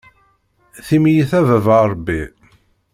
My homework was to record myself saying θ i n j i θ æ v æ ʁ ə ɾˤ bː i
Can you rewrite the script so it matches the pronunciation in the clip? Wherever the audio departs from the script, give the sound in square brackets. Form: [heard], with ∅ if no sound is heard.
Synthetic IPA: θ i [m] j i θ æ v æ [v] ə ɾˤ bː i